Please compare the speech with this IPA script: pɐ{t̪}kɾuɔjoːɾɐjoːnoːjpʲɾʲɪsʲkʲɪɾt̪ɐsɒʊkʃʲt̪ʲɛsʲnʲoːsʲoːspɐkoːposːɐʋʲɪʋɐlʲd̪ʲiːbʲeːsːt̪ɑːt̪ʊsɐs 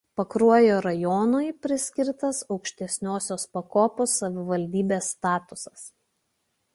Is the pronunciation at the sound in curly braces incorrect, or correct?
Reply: incorrect